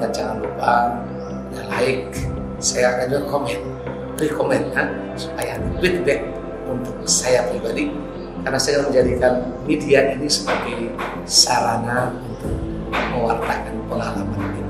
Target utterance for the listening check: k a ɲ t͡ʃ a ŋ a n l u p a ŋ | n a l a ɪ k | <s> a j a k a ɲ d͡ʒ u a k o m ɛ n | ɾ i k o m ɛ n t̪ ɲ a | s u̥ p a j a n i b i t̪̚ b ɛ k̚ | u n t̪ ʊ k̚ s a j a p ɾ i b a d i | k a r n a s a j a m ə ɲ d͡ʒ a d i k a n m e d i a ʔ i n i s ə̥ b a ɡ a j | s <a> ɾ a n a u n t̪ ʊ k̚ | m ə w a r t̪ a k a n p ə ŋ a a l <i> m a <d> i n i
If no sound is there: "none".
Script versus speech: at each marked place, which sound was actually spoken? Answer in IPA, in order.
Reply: s, a, a, n

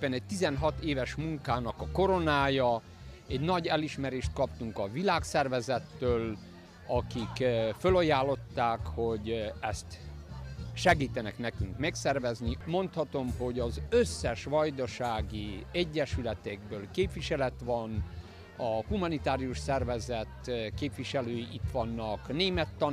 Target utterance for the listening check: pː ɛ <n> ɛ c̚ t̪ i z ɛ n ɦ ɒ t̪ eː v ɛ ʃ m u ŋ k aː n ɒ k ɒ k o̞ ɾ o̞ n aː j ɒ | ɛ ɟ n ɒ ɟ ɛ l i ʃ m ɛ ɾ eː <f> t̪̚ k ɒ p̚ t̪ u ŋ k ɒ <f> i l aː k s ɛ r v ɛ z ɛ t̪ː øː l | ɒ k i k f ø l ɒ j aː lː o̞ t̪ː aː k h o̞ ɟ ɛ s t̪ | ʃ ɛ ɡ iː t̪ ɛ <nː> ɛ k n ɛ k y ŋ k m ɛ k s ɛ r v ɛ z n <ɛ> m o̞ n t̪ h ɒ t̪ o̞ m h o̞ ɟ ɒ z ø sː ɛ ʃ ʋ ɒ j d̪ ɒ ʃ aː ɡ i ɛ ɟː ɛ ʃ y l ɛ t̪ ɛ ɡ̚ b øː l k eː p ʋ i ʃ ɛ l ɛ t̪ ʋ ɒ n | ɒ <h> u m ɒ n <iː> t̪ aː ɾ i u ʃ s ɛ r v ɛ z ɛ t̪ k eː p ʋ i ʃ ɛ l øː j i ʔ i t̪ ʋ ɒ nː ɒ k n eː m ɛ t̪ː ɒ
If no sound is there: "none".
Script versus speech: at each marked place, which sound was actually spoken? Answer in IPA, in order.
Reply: n, ʃ, v, n, i, h, i

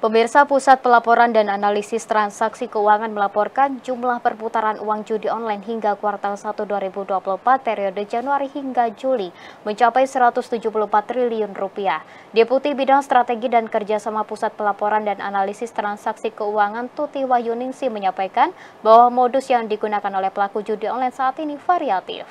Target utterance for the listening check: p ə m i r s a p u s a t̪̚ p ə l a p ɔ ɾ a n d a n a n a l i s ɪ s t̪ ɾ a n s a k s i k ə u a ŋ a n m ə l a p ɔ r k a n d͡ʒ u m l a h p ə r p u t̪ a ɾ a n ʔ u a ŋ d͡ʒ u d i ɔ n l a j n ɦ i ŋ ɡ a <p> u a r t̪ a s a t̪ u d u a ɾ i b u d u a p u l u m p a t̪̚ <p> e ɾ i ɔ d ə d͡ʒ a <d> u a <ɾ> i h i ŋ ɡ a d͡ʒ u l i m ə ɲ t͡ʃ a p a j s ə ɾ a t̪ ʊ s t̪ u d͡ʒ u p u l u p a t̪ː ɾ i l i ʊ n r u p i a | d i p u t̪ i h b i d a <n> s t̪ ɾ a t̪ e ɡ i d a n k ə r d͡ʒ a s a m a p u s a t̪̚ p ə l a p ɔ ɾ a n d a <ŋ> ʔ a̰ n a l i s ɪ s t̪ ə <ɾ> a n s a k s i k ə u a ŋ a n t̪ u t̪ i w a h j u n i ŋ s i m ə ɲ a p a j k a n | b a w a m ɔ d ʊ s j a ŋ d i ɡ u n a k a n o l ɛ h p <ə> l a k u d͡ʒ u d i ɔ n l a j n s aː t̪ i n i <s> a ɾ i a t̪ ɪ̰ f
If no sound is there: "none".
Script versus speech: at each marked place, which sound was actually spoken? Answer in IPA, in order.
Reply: k, p, n, ɾ, ŋ, n, ɾ, ə, f

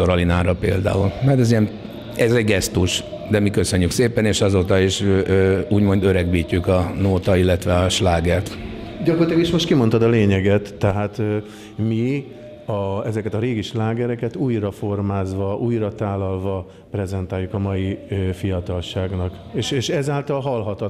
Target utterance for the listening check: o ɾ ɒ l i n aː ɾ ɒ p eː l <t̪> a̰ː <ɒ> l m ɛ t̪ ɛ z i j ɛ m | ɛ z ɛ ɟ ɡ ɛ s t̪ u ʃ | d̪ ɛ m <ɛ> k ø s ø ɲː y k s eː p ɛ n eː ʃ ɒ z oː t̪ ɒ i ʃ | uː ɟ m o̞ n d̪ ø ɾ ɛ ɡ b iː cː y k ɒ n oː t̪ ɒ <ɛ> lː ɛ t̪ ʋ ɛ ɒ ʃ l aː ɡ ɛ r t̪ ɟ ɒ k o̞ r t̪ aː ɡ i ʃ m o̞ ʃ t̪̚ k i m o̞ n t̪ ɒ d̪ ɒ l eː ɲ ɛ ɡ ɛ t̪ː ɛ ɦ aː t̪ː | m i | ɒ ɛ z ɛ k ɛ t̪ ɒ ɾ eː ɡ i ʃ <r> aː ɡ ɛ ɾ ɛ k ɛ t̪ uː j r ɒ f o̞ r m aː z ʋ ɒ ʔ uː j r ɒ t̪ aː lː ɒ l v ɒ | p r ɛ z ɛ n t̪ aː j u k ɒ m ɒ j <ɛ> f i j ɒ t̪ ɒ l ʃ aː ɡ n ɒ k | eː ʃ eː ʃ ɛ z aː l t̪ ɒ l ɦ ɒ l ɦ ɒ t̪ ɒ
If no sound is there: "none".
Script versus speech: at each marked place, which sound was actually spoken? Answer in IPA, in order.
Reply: d̪, u, i, i, l, i

